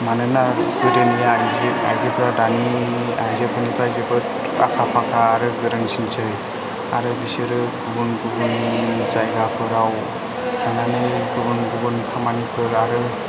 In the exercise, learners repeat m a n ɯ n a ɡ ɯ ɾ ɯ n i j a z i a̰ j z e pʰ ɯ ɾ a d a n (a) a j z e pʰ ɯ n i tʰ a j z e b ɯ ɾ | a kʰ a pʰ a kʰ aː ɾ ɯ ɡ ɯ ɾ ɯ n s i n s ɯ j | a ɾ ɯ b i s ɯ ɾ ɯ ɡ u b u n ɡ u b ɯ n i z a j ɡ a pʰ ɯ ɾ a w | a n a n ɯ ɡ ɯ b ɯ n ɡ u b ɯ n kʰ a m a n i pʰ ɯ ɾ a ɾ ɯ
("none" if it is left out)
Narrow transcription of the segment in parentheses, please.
i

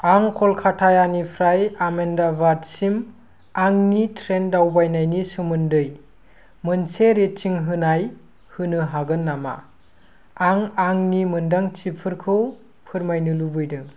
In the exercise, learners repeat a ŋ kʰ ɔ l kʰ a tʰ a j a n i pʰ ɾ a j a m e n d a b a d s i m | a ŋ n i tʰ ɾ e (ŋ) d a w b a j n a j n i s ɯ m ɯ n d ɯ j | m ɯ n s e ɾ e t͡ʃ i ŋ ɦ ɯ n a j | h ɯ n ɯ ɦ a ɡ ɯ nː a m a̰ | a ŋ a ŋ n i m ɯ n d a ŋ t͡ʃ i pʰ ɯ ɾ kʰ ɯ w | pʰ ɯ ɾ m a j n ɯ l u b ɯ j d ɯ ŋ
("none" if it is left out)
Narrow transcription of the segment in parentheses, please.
n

